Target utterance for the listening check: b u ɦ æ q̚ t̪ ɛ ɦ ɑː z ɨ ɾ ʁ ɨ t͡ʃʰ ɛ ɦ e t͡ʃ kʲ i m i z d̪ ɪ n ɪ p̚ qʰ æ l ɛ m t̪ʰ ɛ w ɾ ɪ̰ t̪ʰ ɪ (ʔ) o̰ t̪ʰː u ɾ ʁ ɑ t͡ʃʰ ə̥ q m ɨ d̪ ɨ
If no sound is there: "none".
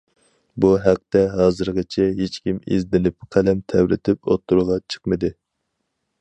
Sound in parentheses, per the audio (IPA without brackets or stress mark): p